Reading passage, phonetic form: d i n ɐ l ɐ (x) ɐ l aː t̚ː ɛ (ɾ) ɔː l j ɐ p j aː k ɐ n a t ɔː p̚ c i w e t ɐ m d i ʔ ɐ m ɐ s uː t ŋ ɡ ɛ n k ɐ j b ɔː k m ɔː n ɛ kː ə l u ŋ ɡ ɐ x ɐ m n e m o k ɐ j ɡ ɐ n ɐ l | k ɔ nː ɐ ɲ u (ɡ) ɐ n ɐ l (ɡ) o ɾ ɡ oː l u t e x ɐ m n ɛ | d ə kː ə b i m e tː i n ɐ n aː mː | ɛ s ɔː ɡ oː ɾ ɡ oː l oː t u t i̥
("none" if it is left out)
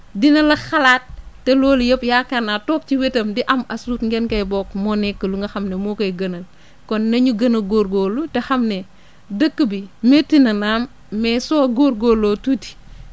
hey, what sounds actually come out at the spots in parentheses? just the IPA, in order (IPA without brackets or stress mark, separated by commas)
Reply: x, l, ɡ, ɡ